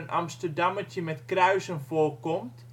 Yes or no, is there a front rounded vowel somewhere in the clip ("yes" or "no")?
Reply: yes